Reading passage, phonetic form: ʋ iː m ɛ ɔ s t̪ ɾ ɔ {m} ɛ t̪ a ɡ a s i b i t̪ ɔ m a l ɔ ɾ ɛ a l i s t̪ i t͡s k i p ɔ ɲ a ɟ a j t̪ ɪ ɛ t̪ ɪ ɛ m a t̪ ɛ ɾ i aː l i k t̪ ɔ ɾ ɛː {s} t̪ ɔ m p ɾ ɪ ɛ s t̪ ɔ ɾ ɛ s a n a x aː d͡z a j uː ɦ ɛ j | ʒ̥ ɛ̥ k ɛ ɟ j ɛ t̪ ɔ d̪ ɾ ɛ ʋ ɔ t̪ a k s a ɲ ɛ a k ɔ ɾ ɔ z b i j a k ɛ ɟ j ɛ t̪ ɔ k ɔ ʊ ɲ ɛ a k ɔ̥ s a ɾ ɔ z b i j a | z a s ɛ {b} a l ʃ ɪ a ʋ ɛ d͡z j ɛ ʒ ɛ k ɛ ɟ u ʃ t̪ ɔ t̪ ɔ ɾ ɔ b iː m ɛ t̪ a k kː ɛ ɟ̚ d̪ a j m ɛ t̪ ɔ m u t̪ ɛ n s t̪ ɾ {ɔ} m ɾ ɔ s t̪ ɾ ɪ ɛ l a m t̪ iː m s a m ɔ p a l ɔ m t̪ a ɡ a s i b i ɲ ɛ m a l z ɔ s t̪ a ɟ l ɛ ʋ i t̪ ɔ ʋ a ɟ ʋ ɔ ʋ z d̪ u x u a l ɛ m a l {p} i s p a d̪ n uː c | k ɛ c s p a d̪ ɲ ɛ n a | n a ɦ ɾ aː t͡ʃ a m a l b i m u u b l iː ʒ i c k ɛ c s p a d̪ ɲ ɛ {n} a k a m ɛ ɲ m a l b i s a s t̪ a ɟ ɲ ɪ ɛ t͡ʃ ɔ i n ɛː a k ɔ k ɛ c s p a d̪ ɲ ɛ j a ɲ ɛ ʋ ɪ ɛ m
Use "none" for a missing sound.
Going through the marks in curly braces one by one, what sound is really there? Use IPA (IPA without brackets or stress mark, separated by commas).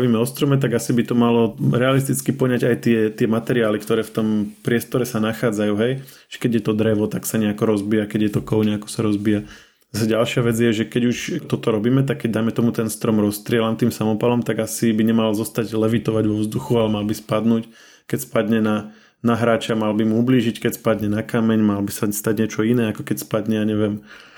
m, f, ɟ, ɔ, b, n